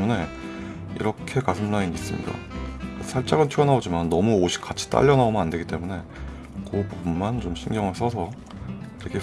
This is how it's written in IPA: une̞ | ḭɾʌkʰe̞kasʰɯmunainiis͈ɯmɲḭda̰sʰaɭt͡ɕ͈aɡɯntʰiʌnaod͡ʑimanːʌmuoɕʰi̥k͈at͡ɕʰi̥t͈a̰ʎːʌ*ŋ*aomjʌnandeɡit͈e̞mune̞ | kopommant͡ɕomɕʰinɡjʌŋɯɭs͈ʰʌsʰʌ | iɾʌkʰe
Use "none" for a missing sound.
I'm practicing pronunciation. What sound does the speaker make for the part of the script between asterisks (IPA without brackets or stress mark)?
n